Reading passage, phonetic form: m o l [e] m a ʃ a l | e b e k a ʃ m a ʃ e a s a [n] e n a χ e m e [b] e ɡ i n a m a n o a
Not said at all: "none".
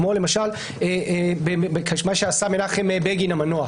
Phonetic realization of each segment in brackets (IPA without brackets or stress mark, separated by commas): e, m, b